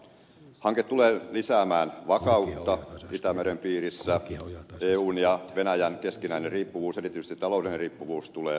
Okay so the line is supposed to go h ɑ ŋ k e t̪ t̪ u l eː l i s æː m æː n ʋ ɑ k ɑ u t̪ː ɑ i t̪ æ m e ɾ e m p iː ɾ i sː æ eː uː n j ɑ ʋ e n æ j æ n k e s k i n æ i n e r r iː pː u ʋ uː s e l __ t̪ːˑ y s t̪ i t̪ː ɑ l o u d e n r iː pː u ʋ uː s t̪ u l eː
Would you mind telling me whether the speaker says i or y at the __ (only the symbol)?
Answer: i